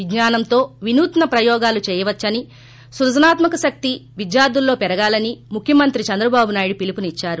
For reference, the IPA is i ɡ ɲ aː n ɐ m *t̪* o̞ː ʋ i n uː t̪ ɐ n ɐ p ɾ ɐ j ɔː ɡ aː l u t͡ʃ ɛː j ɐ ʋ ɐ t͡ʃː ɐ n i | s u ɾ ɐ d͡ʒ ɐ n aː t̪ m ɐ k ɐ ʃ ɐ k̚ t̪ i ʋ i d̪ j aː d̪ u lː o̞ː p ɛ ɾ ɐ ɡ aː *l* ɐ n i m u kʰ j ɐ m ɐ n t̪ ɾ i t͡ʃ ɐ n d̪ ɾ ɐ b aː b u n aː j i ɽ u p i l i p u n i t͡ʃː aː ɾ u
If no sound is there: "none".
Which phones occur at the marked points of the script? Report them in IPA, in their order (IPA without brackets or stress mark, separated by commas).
t̪, l